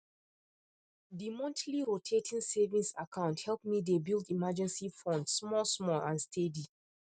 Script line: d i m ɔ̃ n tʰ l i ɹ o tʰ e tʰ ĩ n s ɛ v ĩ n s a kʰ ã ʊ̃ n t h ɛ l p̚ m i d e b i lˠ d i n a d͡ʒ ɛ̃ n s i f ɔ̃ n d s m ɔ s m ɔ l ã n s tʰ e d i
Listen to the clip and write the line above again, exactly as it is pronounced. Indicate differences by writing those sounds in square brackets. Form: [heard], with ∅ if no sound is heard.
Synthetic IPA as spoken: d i m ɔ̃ n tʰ l i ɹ o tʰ e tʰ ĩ n s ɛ v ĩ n s a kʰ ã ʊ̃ n t h ɛ l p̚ m i d e b i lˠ d i [m] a d͡ʒ ɛ̃ n s i f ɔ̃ n d s m ɔ s m ɔ l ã n s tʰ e d i